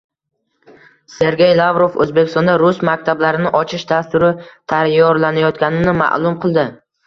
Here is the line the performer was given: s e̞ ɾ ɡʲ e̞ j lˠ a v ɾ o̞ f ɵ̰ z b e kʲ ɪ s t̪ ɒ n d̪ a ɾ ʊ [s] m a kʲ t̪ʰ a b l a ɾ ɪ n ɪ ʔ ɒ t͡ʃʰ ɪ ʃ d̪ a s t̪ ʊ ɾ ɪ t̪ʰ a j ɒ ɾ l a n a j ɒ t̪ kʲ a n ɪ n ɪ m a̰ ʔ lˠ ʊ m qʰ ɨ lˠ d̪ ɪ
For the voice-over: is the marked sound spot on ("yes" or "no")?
yes